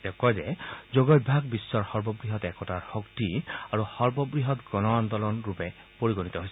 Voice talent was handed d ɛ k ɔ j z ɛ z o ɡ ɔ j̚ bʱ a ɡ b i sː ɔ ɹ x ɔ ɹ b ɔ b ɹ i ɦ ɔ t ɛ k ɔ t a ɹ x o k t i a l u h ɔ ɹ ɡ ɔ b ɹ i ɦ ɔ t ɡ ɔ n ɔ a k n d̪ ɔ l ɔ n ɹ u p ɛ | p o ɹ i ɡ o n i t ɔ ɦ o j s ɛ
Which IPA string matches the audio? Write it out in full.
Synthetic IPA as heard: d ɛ k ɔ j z ɛ z o ɡ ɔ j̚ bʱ a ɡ b i sː ɔ ɹ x ɔ ɹ b ɔ b ɹ i ɦ ɔ t ɛ k ɔ t a ɹ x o k t i a ɹ u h ɔ ɹ b ɔ b ɹ i ɦ ɔ t ɡ ɔ n ɔ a n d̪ ɔ l ɔ n ɹ u p ɛ | p o ɹ i ɡ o n i t ɔ ɦ o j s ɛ